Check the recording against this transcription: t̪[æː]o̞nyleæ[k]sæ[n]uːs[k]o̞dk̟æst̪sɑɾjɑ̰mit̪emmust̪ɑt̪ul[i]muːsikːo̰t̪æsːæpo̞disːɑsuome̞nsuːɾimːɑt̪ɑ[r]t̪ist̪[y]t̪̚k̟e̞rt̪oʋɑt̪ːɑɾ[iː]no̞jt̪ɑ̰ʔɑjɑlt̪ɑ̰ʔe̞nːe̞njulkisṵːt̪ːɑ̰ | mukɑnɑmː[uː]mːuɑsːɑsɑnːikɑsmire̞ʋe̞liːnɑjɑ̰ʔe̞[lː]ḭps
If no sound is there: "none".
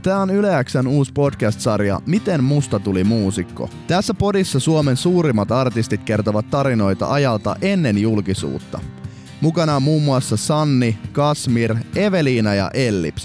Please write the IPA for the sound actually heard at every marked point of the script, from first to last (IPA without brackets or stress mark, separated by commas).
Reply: æː, k, n, p, i, r, i, i, uː, lː